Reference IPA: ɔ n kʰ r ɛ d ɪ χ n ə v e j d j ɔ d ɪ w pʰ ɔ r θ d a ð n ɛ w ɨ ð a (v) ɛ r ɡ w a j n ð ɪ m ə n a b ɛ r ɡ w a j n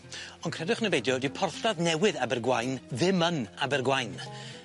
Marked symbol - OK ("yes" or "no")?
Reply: no